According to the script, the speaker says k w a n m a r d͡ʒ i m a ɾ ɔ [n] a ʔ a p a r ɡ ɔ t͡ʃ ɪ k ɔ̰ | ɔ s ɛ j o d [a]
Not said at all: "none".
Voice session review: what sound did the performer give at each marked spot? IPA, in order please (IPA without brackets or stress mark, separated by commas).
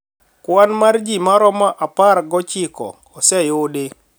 m, e